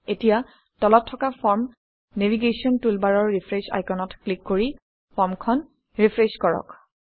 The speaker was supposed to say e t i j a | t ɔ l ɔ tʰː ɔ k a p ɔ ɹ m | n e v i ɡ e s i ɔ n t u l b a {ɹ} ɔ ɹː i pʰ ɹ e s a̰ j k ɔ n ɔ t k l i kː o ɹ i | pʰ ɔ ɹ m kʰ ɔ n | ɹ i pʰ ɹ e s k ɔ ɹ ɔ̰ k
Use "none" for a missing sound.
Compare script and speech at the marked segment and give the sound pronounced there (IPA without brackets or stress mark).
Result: ɹ